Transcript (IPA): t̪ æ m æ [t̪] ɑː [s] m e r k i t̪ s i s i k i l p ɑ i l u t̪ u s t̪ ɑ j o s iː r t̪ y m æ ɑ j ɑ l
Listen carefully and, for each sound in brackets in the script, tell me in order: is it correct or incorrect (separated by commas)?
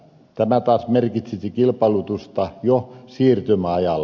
correct, correct